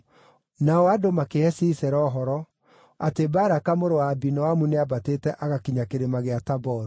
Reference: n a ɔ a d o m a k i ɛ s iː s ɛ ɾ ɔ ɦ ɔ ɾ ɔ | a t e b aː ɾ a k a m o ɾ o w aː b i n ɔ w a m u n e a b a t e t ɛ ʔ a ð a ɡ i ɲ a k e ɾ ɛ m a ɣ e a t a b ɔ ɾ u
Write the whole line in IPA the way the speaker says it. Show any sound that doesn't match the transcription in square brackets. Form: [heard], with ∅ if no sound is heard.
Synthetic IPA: n a ɔ a d o m a k [e] ɛ s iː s ɛ ɾ ɔ ɦ ɔ ɾ ɔ | a t e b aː ɾ a k a m o ɾ o w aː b i n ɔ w a m u n e a b a t e t ɛ ʔ a [ɣ] a [k] i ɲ a k e ɾ [e] m a ɣ e a t a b ɔ ɾ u